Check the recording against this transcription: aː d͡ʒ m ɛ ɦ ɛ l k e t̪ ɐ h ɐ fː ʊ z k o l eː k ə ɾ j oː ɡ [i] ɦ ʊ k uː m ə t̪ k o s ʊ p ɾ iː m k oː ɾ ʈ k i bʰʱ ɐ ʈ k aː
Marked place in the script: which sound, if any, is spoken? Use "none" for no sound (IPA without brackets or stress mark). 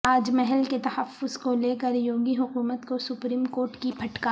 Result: i